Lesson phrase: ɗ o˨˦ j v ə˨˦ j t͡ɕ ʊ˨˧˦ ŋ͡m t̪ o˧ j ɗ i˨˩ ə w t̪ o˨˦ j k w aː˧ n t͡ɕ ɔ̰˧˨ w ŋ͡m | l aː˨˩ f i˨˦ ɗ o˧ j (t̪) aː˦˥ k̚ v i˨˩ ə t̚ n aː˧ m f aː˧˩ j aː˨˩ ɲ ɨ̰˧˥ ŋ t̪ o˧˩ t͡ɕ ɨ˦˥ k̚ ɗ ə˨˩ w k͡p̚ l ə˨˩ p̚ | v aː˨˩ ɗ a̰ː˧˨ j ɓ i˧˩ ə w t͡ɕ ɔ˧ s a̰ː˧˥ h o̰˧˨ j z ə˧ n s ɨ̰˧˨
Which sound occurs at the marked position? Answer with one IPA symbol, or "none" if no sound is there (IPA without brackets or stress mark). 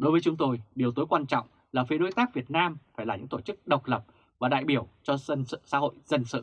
t̪